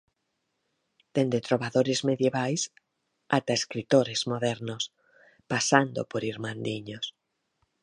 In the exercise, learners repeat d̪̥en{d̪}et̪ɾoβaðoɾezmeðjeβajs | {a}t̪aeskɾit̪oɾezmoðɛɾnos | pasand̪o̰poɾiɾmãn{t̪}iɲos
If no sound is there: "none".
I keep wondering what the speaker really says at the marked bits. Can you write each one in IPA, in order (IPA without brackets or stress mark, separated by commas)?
d̪, a, d̪